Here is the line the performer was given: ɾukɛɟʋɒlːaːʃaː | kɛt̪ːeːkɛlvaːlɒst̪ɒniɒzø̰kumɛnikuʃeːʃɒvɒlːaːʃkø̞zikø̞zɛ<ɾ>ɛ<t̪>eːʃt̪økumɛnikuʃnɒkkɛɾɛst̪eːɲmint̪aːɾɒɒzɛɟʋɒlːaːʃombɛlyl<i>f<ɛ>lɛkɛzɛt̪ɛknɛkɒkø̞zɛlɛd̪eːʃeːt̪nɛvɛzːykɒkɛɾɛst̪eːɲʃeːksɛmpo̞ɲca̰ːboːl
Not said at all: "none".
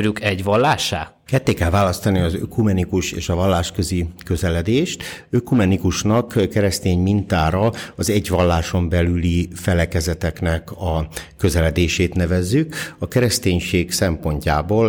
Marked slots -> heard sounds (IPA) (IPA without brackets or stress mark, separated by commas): l, d̪, i, ɛ